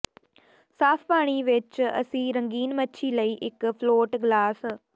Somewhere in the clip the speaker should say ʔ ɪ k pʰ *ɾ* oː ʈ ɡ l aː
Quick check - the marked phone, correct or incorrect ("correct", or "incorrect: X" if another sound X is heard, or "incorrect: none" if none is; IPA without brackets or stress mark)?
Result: incorrect: l